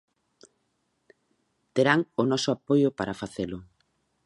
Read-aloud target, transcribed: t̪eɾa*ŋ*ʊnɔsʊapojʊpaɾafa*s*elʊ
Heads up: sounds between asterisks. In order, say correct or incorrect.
correct, incorrect

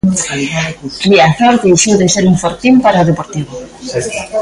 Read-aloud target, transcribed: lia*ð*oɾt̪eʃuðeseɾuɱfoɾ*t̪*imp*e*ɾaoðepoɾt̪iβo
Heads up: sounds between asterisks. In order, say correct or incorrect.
incorrect, correct, incorrect

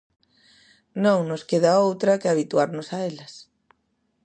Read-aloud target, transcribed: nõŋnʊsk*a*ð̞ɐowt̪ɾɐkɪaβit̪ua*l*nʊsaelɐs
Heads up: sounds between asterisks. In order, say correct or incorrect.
incorrect, incorrect

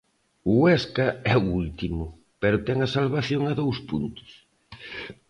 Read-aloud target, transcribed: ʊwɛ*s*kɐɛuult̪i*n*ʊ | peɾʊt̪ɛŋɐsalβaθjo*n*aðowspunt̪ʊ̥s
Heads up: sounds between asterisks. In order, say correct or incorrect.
correct, incorrect, incorrect

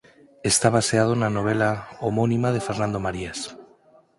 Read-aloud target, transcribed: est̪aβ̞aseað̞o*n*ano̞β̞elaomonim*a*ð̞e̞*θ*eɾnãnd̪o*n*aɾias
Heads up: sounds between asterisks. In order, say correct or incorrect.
correct, correct, incorrect, incorrect

